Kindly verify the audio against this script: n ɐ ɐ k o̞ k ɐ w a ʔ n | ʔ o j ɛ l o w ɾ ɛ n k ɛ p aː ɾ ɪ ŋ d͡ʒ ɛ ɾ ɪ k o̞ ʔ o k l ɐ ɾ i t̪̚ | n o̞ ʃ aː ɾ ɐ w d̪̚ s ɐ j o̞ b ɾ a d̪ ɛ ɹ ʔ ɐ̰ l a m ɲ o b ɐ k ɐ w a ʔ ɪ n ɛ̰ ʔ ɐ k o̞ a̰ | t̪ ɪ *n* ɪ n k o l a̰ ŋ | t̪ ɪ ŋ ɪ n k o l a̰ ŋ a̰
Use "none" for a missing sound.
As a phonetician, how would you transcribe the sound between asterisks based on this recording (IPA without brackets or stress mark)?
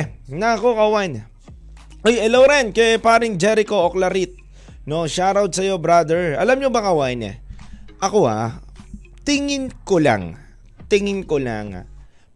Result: ŋ